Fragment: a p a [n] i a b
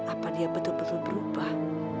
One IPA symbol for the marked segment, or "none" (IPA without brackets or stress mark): d